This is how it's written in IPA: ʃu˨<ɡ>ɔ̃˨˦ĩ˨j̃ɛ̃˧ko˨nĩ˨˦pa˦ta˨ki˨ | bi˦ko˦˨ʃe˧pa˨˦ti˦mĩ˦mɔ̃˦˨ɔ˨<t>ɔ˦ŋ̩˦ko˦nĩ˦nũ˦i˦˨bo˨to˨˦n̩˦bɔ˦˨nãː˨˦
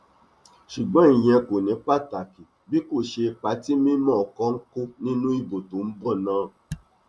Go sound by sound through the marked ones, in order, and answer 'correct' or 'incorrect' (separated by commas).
incorrect, incorrect